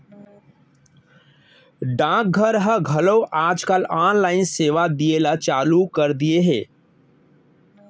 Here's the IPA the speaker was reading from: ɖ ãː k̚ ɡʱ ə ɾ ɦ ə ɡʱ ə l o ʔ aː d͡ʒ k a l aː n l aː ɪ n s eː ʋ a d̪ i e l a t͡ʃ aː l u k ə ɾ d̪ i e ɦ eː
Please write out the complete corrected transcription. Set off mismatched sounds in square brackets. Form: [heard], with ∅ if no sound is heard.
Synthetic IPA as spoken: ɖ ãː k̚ ɡʱ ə ɾ ɦ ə ɡʱ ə l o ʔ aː d͡ʒ k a l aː n l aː ɪ n s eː ʋ a d̪ i e l a t͡ʃ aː l u k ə ɾ d̪ i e ɦ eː